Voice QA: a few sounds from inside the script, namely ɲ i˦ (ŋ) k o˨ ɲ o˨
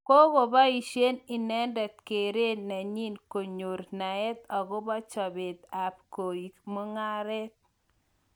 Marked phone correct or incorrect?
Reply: incorrect